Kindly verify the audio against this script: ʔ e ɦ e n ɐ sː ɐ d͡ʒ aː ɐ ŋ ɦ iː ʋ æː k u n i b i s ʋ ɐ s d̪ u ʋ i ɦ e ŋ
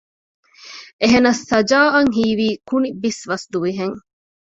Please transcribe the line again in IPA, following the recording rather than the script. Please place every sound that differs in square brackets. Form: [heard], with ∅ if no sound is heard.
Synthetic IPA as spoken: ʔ e ɦ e n ɐ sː ɐ d͡ʒ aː ɐ ŋ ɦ iː ʋ [iː] k u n i b i s ʋ ɐ s d̪ u ʋ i ɦ e ŋ